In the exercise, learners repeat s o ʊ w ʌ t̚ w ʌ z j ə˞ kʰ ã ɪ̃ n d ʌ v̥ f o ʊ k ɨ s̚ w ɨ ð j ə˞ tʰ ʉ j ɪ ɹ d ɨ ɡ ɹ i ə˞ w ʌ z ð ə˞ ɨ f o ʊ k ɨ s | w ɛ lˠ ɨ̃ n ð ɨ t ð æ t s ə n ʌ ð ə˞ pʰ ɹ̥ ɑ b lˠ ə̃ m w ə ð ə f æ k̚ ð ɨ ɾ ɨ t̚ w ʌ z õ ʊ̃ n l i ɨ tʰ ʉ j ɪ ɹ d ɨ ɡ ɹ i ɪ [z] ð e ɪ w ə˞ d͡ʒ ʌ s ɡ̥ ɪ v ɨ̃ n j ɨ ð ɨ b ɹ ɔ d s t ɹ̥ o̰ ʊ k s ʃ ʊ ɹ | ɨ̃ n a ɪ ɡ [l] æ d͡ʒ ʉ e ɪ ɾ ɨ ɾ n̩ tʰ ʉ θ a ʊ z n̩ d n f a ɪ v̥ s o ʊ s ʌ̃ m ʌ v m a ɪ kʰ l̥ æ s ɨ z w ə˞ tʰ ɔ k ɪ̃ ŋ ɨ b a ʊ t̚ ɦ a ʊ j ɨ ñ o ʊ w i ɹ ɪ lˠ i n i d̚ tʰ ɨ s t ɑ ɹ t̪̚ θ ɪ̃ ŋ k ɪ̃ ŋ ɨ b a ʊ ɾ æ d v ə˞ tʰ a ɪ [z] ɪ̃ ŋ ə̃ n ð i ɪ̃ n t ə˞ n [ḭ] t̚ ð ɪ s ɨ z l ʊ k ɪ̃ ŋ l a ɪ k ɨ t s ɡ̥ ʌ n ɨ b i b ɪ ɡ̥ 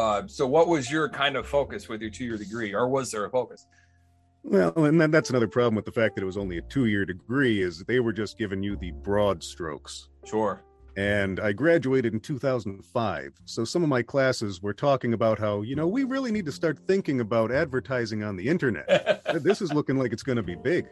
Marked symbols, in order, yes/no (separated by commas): yes, no, yes, no